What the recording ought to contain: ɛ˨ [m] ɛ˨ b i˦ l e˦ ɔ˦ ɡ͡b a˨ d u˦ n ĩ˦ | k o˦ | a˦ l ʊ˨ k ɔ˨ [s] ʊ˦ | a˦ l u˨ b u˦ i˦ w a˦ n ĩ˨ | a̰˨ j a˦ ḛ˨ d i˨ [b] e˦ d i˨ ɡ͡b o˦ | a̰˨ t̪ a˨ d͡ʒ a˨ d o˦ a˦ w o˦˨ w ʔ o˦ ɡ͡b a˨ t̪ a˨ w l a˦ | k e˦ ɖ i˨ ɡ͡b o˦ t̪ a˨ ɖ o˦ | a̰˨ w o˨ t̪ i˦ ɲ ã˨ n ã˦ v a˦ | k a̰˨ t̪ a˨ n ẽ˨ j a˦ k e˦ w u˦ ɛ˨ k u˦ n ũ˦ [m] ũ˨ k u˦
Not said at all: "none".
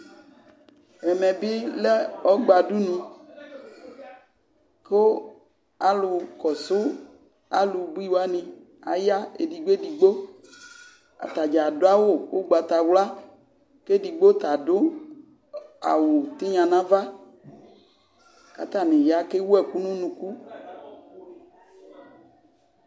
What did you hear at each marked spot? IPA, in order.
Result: m, s, ɡ͡b, n

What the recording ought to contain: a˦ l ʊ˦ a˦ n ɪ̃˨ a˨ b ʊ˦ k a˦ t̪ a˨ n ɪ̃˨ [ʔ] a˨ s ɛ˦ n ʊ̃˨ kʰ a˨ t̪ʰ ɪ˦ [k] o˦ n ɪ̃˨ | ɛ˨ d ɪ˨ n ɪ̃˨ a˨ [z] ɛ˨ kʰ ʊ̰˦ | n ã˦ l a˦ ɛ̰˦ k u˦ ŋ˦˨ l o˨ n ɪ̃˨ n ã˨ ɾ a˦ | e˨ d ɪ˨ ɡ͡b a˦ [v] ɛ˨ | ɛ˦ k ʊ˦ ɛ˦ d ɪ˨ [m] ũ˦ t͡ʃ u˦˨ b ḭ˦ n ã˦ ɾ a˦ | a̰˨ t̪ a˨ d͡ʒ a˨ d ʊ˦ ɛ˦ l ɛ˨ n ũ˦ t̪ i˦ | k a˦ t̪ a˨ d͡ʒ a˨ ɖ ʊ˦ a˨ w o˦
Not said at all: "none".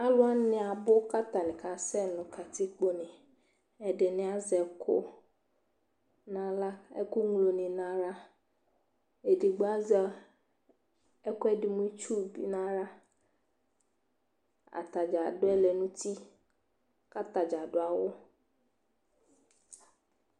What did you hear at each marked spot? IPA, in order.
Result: k, k͡p, z, z, m

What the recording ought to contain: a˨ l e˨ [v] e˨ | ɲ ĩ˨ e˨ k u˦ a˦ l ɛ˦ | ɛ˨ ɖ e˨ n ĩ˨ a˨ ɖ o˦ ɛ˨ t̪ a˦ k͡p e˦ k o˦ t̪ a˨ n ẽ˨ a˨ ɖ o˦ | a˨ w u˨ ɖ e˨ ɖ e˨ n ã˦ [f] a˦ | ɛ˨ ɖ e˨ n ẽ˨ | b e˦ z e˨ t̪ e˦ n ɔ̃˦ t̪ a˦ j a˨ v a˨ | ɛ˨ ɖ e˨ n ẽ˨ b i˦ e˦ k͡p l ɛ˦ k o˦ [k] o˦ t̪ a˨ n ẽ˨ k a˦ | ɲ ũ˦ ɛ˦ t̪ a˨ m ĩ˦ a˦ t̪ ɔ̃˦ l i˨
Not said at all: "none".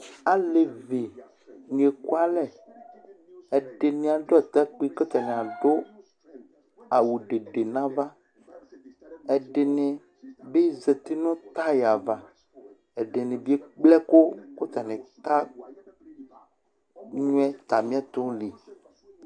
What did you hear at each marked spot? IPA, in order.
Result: v, v, k

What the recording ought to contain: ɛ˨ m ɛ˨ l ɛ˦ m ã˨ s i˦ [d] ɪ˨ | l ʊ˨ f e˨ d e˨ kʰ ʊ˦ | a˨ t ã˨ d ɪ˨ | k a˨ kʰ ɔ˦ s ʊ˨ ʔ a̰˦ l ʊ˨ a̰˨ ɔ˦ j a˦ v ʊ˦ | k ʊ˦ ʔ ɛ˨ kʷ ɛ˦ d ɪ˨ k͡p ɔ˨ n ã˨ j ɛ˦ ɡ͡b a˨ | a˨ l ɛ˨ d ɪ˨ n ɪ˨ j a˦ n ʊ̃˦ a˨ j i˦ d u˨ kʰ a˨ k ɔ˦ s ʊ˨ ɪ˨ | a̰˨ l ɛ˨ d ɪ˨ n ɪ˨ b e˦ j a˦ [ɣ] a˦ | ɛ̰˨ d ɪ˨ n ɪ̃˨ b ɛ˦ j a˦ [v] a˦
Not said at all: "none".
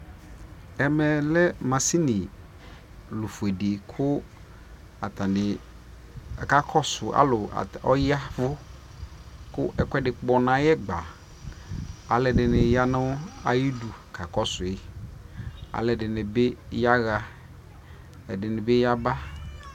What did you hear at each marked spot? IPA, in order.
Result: n, ɣ, b

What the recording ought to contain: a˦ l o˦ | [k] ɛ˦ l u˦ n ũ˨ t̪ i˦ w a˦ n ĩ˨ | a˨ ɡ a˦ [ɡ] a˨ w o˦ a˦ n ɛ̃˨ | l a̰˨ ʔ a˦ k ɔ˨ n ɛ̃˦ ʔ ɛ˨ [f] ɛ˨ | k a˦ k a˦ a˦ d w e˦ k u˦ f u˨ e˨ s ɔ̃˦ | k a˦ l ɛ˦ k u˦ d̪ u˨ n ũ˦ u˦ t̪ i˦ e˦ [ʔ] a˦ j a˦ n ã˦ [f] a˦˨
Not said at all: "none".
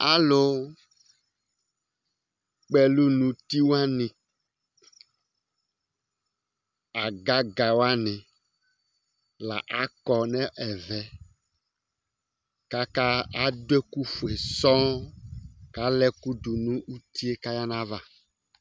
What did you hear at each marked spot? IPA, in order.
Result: k͡p, ɡ, v, k, v

